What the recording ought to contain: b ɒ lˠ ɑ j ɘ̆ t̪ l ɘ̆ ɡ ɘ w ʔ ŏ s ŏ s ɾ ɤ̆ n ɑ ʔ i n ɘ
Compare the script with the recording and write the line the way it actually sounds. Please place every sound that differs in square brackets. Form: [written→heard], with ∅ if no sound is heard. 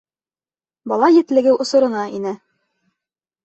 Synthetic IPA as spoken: b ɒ lˠ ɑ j ɘ̆ t̪ l ɘ̆ ɡ ɘ w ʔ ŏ s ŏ [s→∅] ɾ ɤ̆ n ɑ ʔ i n ɘ